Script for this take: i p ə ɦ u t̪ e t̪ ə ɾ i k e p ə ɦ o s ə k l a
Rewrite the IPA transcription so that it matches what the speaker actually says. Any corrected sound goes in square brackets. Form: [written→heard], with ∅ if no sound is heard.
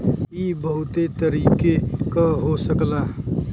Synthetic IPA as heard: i [p→b] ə ɦ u t̪ e t̪ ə ɾ i k e [p→k] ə ɦ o s ə k l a